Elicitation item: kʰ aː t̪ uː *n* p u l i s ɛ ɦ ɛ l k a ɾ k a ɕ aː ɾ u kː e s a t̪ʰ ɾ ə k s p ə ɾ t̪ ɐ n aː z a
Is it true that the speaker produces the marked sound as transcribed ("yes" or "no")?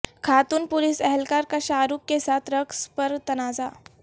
yes